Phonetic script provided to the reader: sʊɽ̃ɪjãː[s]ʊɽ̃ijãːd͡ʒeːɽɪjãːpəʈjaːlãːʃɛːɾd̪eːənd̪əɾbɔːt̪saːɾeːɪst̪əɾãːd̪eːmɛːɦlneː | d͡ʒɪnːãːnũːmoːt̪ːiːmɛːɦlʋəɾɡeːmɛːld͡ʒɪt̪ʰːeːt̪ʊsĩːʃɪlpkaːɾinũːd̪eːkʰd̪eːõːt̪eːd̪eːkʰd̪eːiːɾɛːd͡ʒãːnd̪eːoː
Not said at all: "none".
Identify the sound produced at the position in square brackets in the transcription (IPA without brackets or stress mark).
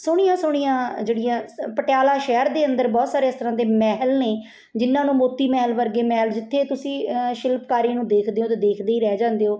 s